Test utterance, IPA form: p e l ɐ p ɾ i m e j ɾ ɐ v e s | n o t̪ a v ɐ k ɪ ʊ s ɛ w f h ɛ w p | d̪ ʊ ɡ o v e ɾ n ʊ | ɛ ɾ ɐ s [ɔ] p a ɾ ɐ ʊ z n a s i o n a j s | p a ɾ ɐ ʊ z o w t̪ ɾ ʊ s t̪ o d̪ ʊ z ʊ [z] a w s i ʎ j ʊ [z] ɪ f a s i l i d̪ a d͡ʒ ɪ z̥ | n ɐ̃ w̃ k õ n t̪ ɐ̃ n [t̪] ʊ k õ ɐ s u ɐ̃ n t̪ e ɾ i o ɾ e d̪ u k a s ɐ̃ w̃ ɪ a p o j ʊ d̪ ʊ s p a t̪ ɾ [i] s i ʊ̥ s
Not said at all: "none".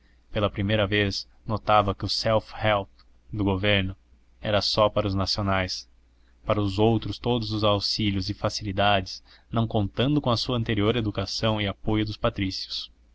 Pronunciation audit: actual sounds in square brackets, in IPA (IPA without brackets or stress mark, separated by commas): ɔ, z, z, d̪, i